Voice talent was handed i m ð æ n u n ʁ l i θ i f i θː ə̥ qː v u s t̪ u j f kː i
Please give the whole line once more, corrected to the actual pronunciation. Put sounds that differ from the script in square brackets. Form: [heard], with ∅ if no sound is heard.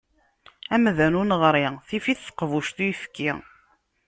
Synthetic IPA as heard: [æ] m ð æ n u n ʁ [ɾ] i θ i f i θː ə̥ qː v u [ʃ] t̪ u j f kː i